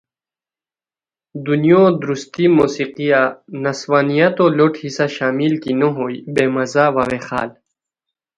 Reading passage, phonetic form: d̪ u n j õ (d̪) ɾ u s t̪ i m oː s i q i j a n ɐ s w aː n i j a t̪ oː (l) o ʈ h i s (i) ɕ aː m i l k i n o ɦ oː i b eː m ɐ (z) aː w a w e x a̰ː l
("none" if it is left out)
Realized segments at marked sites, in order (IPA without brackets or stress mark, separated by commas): d̪, l, a, z